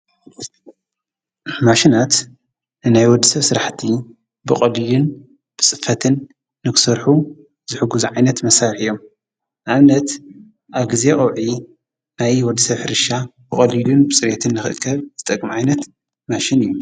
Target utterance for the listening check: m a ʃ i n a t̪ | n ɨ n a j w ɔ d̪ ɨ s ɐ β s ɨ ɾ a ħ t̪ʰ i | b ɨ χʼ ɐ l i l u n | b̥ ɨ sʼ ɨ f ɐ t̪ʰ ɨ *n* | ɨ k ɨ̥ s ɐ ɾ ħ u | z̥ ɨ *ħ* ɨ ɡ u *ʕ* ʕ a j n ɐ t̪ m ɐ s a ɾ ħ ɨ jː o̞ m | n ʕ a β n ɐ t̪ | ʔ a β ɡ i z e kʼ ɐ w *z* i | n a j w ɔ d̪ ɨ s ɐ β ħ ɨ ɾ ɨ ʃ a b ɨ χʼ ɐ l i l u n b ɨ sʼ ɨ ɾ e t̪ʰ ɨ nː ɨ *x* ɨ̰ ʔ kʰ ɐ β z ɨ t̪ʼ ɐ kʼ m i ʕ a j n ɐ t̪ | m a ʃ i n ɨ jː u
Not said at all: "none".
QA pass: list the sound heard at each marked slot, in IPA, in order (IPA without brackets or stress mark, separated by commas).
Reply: nː, ħ, z, ʕ, x